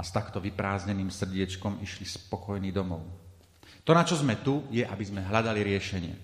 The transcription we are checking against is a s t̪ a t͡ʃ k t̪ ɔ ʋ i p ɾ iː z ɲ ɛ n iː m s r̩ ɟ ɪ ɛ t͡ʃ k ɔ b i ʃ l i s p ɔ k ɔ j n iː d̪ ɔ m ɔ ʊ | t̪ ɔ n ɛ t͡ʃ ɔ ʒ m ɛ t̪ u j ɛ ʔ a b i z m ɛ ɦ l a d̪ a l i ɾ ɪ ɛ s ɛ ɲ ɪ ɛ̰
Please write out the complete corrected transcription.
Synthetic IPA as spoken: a s t̪ a k t̪ ɔ ʋ i p ɾ aː z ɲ ɛ n iː m s r̩ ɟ ɪ ɛ t͡ʃ k ɔ m i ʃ l i s p ɔ k ɔ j n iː d̪ ɔ m ɔ ʊ | t̪ ɔ n a t͡ʃ ɔ z m ɛ t̪ u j ɛ ʔ a b i z m ɛ ɦ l a d̪ a l i ɾ ɪ ɛ ʃ ɛ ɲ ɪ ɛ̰